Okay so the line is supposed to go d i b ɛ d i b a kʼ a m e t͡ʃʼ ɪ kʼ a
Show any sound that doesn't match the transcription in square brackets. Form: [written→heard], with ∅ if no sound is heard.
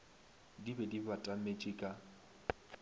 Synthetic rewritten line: d i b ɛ d i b a [kʼ→tʼ] a m e t͡ʃʼ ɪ kʼ a